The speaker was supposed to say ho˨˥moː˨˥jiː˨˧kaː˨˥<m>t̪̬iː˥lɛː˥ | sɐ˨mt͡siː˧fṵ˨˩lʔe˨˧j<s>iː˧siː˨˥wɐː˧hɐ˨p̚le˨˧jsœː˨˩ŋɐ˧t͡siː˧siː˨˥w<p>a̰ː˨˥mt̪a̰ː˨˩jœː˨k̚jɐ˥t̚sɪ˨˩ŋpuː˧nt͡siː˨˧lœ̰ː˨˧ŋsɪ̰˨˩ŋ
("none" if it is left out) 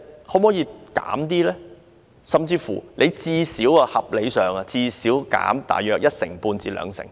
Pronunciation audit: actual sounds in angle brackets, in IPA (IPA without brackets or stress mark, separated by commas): m, t͡s, k